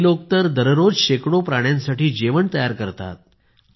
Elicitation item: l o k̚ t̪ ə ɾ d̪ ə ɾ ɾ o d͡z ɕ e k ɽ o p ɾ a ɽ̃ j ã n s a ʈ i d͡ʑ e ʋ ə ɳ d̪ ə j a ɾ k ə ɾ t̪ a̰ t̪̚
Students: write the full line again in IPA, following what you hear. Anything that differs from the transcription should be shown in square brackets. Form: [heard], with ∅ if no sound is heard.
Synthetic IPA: l o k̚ t̪ ə ɾ d̪ ə ɾ ɾ o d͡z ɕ e k ɽ o p ɾ a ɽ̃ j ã n s a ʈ [iː] d͡ʑ e ʋ ə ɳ [t̪] ə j a ɾ k ə ɾ t̪ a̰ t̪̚